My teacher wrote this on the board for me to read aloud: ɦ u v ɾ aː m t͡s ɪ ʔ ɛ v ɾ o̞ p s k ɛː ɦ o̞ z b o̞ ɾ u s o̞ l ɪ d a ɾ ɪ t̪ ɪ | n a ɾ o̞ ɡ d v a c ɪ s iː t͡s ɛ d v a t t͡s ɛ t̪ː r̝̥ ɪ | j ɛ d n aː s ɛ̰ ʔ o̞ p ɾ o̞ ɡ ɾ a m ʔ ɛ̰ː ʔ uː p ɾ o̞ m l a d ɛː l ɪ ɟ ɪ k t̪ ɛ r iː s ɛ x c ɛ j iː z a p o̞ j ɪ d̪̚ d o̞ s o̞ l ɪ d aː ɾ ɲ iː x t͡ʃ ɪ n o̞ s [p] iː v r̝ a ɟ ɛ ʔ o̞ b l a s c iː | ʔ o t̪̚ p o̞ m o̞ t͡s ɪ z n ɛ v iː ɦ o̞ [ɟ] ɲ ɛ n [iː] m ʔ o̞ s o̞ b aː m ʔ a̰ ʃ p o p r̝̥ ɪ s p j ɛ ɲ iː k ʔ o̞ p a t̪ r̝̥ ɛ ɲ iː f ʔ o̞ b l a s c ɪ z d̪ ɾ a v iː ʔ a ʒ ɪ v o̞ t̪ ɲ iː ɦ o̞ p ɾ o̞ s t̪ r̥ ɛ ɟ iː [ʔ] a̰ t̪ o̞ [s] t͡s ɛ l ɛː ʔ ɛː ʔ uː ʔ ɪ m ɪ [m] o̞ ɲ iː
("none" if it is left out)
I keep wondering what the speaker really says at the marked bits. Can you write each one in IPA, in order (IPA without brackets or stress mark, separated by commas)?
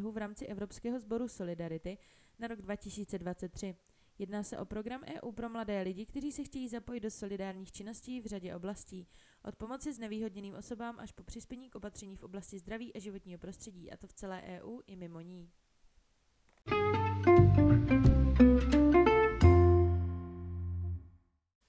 c, d, iː, ʔ, f, m